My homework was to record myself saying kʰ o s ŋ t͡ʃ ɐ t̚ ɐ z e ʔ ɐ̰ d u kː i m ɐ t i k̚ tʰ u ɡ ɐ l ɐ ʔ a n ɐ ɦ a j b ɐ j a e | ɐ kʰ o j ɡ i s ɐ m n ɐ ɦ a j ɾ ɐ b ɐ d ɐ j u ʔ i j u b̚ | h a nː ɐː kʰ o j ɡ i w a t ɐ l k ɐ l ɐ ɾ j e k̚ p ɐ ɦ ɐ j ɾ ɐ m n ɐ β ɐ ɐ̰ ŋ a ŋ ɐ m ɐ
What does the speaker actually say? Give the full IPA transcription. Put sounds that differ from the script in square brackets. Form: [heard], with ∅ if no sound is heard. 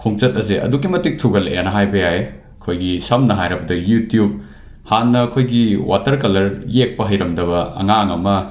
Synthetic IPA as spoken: kʰ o [∅] ŋ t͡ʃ ɐ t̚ ɐ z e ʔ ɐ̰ d u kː i m ɐ t i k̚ tʰ u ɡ ɐ l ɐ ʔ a n ɐ ɦ a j b ɐ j a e | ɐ kʰ o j ɡ i s ɐ m n ɐ ɦ a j ɾ ɐ b ɐ d ɐ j u [t] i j u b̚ | h a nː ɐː kʰ o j ɡ i w a t ɐ [ɾ] k ɐ l ɐ ɾ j e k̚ p ɐ ɦ ɐ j ɾ ɐ m [d] ɐ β ɐ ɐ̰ ŋ a ŋ ɐ m ɐ

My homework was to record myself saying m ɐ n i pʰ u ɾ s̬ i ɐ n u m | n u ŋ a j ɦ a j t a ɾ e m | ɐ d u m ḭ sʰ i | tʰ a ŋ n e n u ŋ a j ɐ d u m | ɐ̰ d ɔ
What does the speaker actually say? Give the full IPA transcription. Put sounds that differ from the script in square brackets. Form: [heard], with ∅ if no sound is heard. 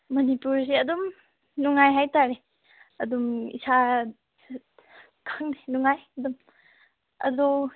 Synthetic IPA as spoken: m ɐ n i [p] u ɾ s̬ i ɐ [d] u m | n u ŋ a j ɦ a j t a ɾ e [∅] | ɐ d u m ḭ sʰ [a] | [kʰ] a ŋ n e n u ŋ a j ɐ d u m | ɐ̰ d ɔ

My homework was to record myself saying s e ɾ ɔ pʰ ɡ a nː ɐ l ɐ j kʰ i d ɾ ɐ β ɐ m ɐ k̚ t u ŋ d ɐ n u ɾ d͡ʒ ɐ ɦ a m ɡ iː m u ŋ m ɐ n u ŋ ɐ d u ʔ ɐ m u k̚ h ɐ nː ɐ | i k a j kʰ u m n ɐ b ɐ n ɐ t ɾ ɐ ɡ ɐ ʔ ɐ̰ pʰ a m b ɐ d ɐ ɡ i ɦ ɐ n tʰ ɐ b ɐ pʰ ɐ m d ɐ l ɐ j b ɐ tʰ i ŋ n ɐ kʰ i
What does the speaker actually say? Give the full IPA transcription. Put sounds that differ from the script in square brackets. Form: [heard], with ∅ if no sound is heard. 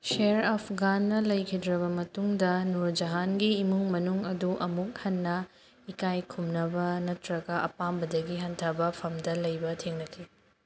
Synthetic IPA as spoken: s e ɾ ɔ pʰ ɡ a nː ɐ l ɐ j kʰ i d ɾ ɐ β ɐ m ɐ [∅] t u ŋ d ɐ n u ɾ d͡ʒ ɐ ɦ a [n] ɡ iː m u ŋ m ɐ n u ŋ ɐ d u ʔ ɐ m u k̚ h ɐ nː ɐ | i k a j kʰ u m n ɐ b ɐ n ɐ t ɾ ɐ ɡ ɐ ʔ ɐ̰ [p] a m b ɐ d ɐ ɡ i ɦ ɐ n tʰ ɐ b ɐ pʰ ɐ m d ɐ l ɐ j b ɐ tʰ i ŋ n ɐ kʰ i

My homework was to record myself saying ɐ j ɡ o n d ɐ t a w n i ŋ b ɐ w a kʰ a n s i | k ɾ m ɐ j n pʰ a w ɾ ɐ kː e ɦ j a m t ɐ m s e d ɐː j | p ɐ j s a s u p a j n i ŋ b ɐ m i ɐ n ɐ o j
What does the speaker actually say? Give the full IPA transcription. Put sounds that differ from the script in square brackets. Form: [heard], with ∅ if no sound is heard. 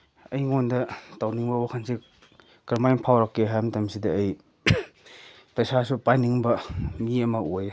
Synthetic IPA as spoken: ɐ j [ŋ] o n d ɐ t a w n i ŋ b ɐ w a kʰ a n s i | k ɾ m [a] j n pʰ a w ɾ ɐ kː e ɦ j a m t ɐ m s [i] d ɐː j | p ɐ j s a s u p a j n i ŋ b ɐ m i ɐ [m] ɐ o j

